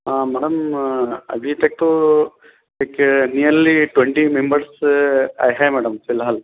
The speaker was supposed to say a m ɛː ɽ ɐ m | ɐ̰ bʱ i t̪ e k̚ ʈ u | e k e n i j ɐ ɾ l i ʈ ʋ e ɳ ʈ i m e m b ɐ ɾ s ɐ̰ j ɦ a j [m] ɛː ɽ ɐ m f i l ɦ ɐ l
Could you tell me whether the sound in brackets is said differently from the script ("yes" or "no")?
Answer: no